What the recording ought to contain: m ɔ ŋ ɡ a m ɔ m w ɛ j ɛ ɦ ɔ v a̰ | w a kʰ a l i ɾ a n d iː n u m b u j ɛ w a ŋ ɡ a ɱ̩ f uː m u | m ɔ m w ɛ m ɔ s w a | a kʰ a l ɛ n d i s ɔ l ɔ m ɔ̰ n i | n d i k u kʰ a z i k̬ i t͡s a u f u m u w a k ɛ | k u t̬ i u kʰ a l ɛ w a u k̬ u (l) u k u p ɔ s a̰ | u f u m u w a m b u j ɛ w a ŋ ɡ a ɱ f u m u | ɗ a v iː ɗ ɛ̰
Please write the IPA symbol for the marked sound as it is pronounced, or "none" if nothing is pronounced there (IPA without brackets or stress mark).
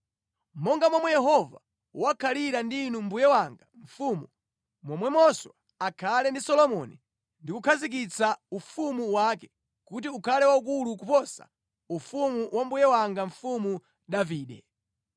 l